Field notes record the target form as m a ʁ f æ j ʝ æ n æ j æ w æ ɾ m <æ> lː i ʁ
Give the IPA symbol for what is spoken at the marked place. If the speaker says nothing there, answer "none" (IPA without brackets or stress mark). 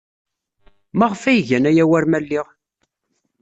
æ